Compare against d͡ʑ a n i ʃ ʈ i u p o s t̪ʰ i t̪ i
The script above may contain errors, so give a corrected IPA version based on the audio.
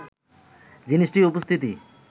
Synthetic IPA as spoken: d͡ʑ i n i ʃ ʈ i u p o s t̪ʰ i t̪ i